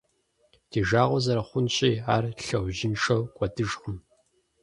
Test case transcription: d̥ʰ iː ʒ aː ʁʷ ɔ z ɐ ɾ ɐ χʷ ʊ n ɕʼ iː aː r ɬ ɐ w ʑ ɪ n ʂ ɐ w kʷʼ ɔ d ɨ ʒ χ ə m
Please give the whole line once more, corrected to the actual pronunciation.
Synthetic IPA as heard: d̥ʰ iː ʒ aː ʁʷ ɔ z ɐ ɾ ɐ χʷ ʊ n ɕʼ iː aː r ɬ ɐ w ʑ ɪ n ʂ ɐ w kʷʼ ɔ d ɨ ʒ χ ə m